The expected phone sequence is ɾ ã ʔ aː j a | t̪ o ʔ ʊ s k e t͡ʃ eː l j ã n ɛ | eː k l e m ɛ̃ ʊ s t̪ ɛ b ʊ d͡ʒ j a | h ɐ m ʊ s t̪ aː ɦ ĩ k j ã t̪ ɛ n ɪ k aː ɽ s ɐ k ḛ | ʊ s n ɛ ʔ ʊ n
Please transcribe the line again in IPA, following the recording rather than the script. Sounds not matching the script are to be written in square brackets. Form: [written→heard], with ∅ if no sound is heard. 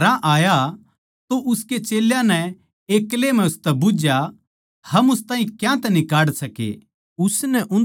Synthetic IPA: ɾ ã ʔ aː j a | t̪ o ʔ ʊ s k e t͡ʃ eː l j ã n ɛ | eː k l e m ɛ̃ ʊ s t̪ ɛ b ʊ d͡ʒ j a | h ɐ m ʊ s t̪ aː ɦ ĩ k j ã t̪ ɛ n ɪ k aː ɽ s ɐ k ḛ | ʊ s n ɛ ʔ ʊ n